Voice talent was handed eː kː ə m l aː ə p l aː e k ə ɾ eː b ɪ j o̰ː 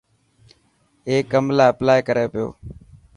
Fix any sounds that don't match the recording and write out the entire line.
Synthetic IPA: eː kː ə m l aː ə p l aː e k ə ɾ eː p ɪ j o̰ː

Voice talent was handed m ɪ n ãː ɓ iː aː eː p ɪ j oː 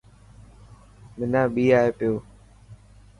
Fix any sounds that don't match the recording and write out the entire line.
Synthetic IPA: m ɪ n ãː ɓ iː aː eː p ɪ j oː

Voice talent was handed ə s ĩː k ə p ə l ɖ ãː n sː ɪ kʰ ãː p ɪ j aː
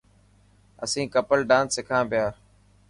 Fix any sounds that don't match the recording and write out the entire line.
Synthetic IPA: ə s ĩː k ə p ə l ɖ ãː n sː ɪ kʰ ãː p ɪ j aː

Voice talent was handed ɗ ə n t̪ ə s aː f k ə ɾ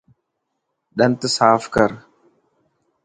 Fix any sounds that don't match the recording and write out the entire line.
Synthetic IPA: ɗ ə n t̪ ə s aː f k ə ɾ

